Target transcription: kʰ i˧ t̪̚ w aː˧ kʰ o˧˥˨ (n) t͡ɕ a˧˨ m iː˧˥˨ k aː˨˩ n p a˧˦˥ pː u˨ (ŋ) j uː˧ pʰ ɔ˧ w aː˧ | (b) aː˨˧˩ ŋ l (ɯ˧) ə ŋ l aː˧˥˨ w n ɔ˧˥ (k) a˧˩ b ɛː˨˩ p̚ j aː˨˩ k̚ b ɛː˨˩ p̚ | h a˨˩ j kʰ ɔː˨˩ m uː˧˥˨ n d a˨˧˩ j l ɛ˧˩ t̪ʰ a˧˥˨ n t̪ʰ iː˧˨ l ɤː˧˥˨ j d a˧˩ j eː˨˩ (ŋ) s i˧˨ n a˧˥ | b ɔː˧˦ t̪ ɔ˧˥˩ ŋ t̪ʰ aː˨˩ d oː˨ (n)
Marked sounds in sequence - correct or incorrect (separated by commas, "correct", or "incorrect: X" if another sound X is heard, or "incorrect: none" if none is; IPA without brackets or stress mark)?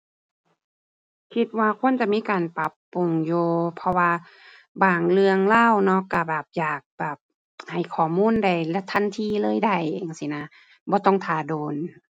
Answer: correct, correct, correct, correct, correct, correct, correct